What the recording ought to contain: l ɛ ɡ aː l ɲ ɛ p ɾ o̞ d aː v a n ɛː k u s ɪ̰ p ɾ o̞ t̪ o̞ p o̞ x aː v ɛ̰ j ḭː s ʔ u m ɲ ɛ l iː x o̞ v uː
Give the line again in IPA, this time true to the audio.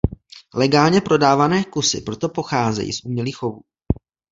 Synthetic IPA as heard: l ɛ ɡ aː l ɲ ɛ p ɾ o̞ d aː v a n ɛː k u s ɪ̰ p ɾ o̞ t̪ o̞ p o̞ x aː z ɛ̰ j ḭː s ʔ u m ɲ ɛ l iː x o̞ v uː